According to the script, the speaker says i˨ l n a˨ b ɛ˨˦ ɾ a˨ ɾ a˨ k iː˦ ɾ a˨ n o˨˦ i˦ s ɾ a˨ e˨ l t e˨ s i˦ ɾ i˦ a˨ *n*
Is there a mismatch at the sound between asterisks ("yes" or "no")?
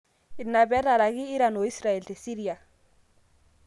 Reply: yes